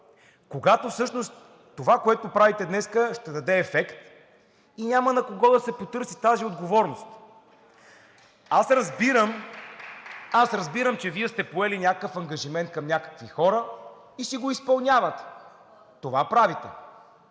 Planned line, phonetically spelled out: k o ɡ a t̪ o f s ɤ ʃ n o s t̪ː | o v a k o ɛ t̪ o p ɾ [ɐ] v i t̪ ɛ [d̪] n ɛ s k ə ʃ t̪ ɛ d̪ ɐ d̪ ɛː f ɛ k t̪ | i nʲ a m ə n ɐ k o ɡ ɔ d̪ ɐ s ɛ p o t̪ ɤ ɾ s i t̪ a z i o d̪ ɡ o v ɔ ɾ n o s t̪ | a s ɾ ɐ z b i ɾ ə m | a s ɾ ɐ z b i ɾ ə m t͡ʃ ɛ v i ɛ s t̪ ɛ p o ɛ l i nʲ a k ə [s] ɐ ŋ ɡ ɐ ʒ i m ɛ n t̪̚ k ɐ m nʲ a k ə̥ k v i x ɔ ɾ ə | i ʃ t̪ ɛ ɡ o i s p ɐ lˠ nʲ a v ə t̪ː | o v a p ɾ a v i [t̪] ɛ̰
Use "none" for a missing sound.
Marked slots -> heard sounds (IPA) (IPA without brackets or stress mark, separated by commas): a, d̪, f, t̪